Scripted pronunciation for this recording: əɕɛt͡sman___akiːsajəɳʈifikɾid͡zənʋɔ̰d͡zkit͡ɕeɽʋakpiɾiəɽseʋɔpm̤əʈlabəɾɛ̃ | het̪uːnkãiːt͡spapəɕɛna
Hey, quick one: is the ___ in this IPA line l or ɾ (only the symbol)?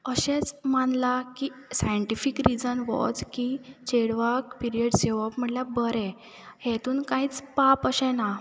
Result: l